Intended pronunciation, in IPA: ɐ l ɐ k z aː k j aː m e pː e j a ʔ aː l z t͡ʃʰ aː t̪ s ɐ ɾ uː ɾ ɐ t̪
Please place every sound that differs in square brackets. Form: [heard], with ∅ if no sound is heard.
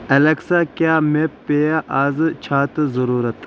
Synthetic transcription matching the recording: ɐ l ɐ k [s] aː k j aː m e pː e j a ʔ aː [∅] z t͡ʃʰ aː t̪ [z] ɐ ɾ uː ɾ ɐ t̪